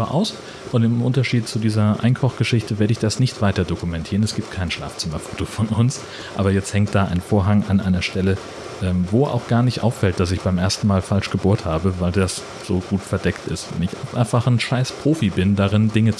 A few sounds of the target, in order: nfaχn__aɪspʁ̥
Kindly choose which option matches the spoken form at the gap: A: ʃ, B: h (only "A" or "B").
A